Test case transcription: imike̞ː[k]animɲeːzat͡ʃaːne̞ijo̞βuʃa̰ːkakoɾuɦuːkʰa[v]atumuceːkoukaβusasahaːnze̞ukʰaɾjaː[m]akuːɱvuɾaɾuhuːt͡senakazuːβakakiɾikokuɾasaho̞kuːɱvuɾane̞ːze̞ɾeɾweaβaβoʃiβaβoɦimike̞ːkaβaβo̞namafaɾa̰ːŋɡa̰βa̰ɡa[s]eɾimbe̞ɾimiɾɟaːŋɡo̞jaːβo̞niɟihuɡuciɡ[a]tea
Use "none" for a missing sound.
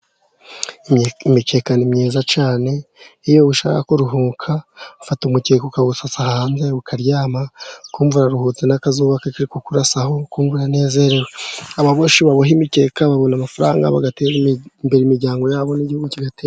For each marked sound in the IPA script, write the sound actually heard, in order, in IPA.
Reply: k, f, m, t, a

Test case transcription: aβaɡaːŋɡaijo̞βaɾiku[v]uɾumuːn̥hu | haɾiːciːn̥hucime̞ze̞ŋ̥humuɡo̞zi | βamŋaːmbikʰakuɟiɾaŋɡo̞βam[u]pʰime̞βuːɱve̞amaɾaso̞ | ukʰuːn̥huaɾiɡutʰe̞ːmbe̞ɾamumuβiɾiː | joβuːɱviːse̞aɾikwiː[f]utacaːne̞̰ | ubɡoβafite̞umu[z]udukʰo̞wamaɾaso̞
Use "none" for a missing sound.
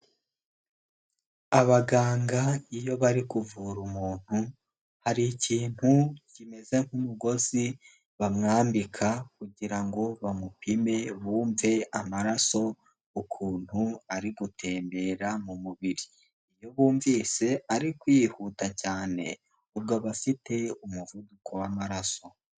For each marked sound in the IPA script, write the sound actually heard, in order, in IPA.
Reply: v, u, h, v

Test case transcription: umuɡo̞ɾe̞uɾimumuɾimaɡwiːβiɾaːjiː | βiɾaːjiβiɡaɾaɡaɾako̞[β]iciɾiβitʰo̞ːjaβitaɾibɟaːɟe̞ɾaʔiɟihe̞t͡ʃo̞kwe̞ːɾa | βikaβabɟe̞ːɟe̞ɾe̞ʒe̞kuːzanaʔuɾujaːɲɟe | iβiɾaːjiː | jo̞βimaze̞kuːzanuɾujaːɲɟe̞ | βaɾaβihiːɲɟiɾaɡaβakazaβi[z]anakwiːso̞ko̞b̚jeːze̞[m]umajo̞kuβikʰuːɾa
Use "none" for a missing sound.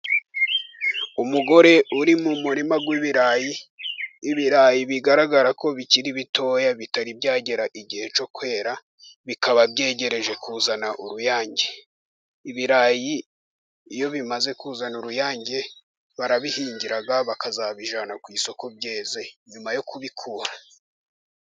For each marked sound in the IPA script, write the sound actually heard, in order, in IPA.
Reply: β, ʒ, ɲ

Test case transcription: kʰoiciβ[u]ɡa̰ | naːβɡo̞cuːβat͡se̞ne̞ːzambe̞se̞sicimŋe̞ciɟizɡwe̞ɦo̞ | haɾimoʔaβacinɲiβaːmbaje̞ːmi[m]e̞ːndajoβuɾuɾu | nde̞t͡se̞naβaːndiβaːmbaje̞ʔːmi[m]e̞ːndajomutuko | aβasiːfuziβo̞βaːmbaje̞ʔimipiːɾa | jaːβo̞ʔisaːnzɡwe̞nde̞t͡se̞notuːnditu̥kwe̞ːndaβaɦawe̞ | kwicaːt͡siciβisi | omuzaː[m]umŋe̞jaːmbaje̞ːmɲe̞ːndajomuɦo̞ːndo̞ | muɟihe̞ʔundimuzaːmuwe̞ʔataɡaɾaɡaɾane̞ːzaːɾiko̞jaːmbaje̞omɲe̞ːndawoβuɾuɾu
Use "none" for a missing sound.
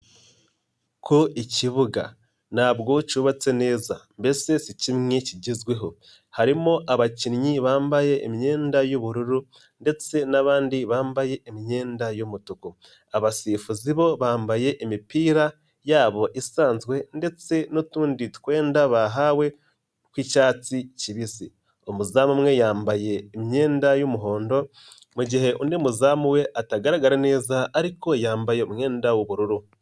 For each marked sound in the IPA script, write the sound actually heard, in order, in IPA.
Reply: u, ɲ, ɲ, m

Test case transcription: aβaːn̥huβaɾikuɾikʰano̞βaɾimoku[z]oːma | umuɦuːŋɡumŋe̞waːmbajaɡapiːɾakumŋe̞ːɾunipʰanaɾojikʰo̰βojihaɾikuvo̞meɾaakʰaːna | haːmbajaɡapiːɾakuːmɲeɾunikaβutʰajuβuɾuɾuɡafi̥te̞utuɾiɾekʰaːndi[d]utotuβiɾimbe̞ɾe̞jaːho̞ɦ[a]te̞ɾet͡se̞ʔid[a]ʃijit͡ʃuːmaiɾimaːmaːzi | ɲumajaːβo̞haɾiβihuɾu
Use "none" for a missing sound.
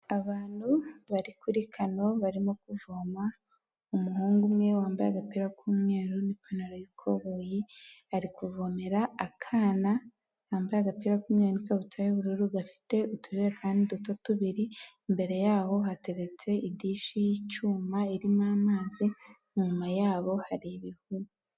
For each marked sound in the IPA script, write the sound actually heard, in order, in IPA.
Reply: v, d, a, i

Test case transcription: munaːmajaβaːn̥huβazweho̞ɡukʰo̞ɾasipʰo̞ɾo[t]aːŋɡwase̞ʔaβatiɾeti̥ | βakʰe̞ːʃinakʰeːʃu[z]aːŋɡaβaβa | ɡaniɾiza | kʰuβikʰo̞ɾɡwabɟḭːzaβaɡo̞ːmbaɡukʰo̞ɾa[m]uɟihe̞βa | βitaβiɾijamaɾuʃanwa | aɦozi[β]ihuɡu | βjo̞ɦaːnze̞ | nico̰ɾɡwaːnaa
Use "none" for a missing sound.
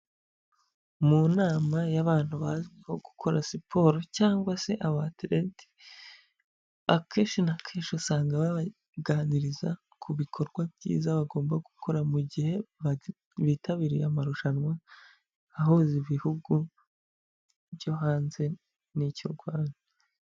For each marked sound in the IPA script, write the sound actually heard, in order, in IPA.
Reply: c, s, m, β

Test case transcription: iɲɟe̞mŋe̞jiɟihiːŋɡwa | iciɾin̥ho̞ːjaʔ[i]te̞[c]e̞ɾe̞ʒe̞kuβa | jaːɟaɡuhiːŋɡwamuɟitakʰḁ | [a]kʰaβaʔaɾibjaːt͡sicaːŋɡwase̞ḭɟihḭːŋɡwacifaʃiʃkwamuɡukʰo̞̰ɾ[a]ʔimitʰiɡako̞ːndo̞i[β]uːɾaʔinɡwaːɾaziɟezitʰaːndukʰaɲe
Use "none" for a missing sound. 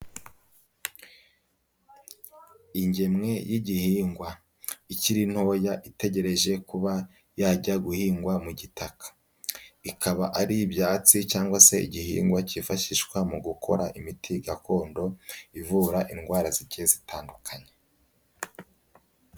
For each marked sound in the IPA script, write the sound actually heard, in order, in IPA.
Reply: i, ɟ, i, a, v

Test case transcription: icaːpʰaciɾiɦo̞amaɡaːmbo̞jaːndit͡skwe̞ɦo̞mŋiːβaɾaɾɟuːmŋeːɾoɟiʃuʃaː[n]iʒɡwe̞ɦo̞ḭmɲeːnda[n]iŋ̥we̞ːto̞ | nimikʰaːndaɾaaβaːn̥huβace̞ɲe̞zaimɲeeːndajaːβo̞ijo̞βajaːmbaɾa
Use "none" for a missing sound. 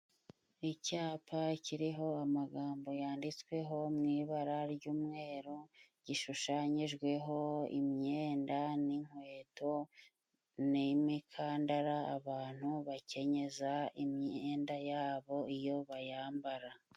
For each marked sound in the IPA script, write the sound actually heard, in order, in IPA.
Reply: ɲ, n

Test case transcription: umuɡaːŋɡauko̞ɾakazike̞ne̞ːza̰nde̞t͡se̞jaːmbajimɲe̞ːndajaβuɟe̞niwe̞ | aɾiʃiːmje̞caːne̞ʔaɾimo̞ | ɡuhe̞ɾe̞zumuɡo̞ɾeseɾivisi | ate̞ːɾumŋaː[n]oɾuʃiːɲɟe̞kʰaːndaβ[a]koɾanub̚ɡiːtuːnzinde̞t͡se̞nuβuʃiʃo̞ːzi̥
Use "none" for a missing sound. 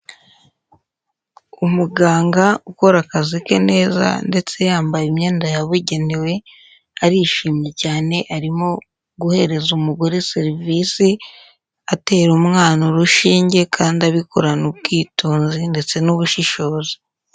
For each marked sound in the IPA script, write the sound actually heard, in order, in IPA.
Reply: n, i

